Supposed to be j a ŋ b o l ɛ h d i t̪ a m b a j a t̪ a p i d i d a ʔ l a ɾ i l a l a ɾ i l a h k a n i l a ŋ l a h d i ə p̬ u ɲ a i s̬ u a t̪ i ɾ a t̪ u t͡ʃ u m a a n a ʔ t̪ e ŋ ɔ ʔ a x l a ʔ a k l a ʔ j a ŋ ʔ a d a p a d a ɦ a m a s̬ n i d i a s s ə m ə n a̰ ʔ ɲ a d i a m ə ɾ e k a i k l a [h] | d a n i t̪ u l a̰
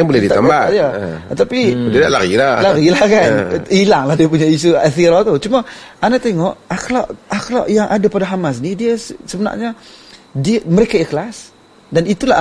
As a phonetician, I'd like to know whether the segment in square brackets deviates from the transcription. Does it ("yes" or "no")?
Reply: yes